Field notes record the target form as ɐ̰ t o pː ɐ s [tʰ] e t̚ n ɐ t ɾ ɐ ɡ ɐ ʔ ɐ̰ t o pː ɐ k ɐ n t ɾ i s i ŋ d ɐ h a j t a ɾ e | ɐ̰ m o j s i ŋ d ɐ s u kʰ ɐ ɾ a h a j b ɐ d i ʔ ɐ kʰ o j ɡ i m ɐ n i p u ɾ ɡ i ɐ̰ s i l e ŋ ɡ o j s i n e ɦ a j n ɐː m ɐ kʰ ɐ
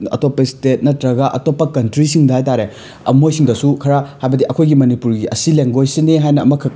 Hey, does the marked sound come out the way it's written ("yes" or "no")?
no